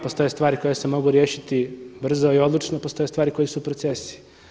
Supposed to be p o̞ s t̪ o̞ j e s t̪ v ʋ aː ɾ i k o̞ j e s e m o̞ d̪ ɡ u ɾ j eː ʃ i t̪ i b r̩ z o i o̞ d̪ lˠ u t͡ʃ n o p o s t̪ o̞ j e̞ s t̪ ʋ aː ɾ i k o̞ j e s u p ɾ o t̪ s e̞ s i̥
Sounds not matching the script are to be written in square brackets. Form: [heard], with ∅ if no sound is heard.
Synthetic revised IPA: p o̞ s t̪ o̞ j e s t̪ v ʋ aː ɾ i k o̞ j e s e m o̞ [∅] ɡ u ɾ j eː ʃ i t̪ i b r̩ z o i o̞ d̪ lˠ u t͡ʃ n o p o s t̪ o̞ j e̞ s t̪ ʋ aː ɾ i k o̞ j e s u p ɾ o t̪ s e̞ s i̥

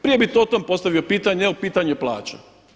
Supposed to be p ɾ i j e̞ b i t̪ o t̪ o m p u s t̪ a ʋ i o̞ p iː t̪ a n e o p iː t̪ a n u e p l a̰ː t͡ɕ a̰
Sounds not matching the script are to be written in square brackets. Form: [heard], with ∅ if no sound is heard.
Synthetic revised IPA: p ɾ i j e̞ b i t̪ o t̪ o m p [o] s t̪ a ʋ i o̞ p iː t̪ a [ɲ] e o p iː t̪ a [ɲ] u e p l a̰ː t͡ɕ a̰

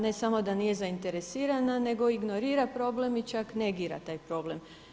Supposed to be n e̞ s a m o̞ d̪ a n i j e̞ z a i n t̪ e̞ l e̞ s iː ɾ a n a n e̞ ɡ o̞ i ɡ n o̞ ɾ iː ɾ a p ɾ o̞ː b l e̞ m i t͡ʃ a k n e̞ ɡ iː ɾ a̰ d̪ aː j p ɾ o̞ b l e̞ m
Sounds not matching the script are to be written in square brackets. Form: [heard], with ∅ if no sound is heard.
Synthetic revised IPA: n e̞ s a m o̞ d̪ a n i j e̞ z a i n t̪ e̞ [ɾ] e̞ s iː ɾ a n a n e̞ ɡ o̞ i ɡ n o̞ ɾ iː ɾ a p ɾ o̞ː b l e̞ m i t͡ʃ a k n e̞ ɡ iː ɾ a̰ [t̪] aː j p ɾ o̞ b l e̞ m

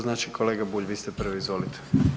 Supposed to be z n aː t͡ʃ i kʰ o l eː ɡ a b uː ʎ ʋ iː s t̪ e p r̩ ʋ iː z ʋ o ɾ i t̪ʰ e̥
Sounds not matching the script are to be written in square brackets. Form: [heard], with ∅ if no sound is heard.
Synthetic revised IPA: z n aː t͡ʃ i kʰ o l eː ɡ a b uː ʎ ʋ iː s t̪ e p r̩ ʋ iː z ʋ o [l] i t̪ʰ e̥

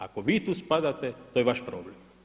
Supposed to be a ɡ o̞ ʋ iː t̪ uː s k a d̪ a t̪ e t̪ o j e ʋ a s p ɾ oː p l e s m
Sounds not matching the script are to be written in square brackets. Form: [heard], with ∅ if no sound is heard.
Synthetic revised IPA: a [k] o̞ ʋ iː t̪ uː s [p] a d̪ a t̪ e t̪ o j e ʋ a [ʃ] p ɾ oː [b] l e [∅] m

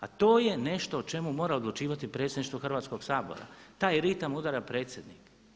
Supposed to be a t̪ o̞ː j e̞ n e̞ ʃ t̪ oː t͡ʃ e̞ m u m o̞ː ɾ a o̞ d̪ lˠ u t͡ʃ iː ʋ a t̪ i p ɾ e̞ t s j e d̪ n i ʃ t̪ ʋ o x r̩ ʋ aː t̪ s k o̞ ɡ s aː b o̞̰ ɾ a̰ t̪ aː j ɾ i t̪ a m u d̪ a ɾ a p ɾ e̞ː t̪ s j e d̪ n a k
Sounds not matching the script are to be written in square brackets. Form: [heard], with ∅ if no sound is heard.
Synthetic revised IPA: a t̪ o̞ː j e̞ n e̞ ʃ t̪ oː t͡ʃ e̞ m u m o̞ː ɾ a o̞ d̪ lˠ u t͡ʃ iː ʋ a t̪ i p ɾ e̞ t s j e d̪ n i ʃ t̪ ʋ o x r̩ ʋ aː t̪ s k o̞ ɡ s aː b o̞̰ ɾ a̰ t̪ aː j ɾ i t̪ a m u d̪ a ɾ a p ɾ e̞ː t̪ s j e d̪ n [i] k

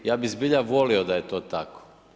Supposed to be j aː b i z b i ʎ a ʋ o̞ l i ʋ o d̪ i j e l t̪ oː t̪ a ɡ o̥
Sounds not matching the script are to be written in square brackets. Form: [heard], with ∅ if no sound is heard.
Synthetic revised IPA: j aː b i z b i ʎ a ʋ o̞ l i [∅] o d̪ [a] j e [∅] t̪ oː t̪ a [k] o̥

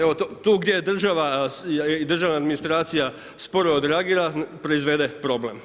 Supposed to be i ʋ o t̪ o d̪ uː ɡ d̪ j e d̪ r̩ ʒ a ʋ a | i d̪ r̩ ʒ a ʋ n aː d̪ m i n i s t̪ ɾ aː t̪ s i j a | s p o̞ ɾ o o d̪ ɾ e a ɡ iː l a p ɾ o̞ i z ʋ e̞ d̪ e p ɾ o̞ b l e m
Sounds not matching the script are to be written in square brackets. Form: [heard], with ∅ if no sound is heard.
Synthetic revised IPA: [e] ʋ o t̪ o [t̪] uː ɡ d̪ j e d̪ r̩ ʒ a ʋ a | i d̪ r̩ ʒ a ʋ n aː d̪ m i n i s t̪ ɾ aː t̪ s i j a | s p o̞ ɾ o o d̪ ɾ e a ɡ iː [ɾ] a p ɾ o̞ i z ʋ e̞ d̪ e p ɾ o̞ b l e m

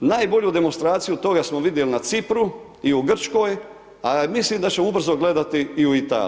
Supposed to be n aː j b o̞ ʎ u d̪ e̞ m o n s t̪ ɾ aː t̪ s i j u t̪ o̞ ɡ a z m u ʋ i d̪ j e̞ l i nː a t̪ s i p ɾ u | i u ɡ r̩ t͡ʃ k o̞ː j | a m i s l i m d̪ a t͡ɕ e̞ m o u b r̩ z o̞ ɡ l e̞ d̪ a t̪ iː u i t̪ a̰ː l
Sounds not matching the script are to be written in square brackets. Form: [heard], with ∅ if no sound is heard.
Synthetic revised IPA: n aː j b o̞ ʎ u d̪ e̞ m o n s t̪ ɾ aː t̪ s i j u t̪ o̞ ɡ a [s] m [o] ʋ i d̪ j e̞ l i [n] a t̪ s i p ɾ u | i u ɡ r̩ t͡ʃ k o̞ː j | a m i s l i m d̪ a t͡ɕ e̞ m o u b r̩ z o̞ ɡ l e̞ d̪ a t̪ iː u i t̪ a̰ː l

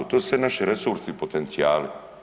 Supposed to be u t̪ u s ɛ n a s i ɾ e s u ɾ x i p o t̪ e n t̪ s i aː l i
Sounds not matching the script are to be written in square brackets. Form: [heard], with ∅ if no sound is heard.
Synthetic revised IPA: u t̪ [o] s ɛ n a [ʃ] i ɾ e s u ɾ [s] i p o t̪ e n t̪ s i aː l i

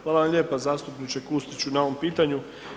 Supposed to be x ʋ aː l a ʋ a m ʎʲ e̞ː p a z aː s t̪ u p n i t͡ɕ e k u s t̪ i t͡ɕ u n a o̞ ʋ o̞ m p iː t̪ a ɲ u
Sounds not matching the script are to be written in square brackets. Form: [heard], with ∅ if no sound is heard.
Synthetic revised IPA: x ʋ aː l a ʋ a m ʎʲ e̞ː p a z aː s t̪ u p n i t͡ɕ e k u s t̪ i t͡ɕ u n a o̞ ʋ o̞ m p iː t̪ a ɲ u

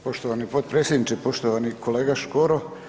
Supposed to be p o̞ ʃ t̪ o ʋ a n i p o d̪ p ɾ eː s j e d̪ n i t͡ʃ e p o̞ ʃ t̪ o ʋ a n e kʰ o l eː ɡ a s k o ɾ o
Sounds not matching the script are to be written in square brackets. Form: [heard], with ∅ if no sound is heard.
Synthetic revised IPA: p o̞ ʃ t̪ o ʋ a n i p o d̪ p ɾ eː s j e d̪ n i t͡ʃ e p o̞ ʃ t̪ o ʋ a n [i] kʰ o l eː ɡ a [ʃ] k o ɾ o

